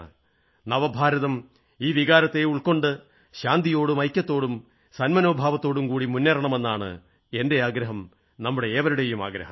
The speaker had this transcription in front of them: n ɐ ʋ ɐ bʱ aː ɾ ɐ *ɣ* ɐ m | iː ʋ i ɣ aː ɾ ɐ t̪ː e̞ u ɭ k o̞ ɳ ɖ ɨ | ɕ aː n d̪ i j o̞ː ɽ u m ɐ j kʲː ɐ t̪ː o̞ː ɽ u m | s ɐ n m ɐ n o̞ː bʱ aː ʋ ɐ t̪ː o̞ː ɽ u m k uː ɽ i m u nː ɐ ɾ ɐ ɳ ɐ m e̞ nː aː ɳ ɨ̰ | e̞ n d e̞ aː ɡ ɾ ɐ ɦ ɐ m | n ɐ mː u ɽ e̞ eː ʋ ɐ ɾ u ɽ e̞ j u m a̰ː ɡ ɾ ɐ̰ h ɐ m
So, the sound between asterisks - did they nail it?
no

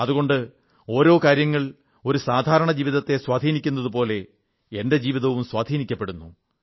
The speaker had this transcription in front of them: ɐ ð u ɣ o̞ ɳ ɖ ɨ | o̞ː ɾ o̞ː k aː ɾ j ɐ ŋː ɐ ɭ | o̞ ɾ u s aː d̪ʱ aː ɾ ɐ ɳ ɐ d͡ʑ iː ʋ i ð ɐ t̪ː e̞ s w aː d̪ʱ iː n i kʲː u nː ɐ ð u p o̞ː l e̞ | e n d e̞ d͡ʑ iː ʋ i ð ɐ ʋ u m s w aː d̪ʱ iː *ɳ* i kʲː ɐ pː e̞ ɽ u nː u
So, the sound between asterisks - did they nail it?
no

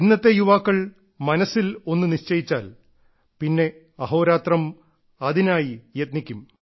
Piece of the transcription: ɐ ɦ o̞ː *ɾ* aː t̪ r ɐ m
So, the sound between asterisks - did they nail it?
yes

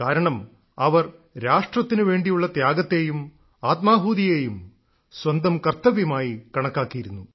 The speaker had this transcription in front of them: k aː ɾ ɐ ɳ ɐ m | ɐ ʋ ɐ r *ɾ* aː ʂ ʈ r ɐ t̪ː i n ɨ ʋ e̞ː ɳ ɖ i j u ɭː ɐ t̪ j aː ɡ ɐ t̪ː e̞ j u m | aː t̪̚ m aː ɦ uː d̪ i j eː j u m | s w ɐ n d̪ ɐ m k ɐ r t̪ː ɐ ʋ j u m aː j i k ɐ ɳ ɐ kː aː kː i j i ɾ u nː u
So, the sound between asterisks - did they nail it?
yes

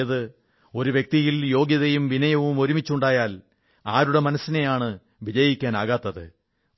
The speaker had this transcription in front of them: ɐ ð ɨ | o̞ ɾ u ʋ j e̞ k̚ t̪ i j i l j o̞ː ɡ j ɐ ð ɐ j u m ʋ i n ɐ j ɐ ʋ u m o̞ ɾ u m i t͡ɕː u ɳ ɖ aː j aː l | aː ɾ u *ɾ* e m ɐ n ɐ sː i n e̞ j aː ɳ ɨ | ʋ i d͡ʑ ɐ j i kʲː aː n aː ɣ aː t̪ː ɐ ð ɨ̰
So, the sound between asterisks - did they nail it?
no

